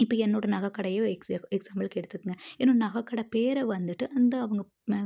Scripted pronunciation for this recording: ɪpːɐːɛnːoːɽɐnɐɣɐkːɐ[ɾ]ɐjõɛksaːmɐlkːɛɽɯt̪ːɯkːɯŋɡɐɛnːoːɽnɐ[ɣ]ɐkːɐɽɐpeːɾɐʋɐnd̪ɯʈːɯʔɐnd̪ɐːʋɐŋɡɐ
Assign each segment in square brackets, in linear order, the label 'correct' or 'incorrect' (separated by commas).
incorrect, correct